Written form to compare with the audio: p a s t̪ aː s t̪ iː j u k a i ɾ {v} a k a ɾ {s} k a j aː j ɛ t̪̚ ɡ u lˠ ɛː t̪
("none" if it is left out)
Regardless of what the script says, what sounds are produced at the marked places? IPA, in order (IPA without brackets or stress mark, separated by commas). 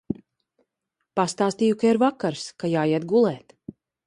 v, s